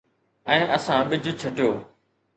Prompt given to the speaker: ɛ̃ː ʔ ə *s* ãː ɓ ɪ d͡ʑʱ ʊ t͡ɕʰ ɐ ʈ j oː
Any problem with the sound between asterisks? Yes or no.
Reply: no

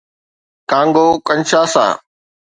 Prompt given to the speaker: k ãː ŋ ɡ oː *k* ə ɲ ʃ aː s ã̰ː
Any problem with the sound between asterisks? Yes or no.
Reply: no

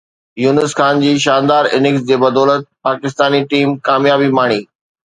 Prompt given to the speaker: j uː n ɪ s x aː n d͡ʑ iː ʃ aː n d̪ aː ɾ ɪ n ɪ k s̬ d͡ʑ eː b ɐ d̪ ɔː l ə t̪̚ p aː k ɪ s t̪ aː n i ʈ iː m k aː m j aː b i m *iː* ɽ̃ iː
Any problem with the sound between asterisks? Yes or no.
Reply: yes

